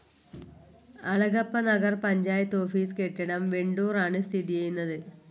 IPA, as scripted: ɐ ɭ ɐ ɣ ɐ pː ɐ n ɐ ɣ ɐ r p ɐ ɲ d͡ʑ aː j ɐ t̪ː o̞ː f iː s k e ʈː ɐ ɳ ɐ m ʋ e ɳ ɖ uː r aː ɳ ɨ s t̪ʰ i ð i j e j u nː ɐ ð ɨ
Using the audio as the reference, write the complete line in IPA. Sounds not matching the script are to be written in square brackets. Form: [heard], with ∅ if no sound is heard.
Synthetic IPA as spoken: ɐ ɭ ɐ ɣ ɐ pː ɐ n ɐ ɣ ɐ r p ɐ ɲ d͡ʑ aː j ɐ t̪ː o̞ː f iː s k e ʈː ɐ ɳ ɐ m ʋ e ɳ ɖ uː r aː ɳ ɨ s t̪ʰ i ð i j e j u nː ɐ ð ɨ

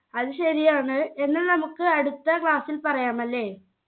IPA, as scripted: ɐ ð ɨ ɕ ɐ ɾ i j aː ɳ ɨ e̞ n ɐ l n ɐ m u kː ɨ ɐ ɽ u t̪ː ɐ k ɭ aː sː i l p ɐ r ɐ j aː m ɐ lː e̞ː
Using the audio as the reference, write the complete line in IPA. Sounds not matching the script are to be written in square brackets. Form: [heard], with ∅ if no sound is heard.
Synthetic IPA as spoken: ɐ ð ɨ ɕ ɐ ɾ i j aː ɳ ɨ e̞ [nː] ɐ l n ɐ m u kː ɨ ɐ ɽ u t̪ː ɐ k ɭ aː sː i l p ɐ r ɐ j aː m ɐ lː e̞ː

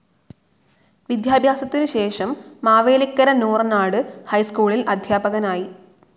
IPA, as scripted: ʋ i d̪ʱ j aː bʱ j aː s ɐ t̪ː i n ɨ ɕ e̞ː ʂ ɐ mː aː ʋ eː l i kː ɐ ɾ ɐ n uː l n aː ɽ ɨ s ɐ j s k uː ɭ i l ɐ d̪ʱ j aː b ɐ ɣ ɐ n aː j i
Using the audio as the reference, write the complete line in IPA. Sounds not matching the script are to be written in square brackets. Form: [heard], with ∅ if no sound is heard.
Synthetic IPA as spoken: ʋ i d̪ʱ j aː bʱ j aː s ɐ t̪ː i n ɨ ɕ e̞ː ʂ ɐ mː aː ʋ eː l i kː ɐ ɾ ɐ n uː [r] n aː ɽ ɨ [h] ɐ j s k uː ɭ i l ɐ d̪ʱ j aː b ɐ ɣ ɐ n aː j i

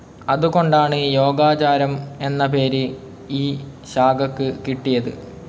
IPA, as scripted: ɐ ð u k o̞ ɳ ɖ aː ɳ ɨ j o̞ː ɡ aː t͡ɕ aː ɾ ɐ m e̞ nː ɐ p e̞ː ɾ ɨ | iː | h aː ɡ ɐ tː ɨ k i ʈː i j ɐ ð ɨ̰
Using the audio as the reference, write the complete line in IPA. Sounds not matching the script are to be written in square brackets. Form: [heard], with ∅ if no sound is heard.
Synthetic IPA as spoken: ɐ ð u k o̞ ɳ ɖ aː ɳ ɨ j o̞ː ɡ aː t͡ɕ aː ɾ ɐ m e̞ nː ɐ p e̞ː ɾ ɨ | iː | [ɕ] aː ɡ ɐ [kː] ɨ k i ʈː i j ɐ ð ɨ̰

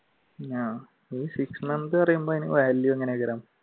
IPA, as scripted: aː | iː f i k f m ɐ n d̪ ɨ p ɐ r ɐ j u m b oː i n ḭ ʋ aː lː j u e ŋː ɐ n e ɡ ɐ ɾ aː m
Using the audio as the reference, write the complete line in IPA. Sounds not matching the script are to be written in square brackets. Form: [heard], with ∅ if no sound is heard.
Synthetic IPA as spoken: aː | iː [s] i k [s] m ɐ n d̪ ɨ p ɐ r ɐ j u m b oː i n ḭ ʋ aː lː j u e ŋː ɐ n e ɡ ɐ ɾ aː m

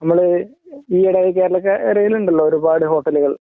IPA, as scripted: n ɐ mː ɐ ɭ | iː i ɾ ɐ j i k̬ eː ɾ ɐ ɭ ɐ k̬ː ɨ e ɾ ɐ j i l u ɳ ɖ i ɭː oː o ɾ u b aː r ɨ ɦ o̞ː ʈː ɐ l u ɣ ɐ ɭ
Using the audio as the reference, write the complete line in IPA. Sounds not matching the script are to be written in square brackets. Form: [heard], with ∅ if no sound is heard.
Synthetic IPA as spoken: n ɐ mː ɐ ɭ | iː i [ɽ] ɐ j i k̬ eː ɾ ɐ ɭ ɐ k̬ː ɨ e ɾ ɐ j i l u ɳ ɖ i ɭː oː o ɾ u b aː [ɽ] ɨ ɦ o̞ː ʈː ɐ l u ɣ ɐ ɭ

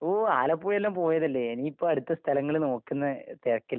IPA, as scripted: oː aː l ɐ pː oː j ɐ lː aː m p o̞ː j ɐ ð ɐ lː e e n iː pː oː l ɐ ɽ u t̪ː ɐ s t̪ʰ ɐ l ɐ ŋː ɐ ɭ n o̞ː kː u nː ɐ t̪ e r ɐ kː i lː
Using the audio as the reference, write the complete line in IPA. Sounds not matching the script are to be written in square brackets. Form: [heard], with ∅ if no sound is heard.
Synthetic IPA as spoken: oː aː l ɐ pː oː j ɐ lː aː m p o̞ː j ɐ ð ɐ lː e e n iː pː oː [∅] ɐ ɽ u t̪ː ɐ s t̪ʰ ɐ l ɐ ŋː ɐ ɭ n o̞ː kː u nː ɐ t̪ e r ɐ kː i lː

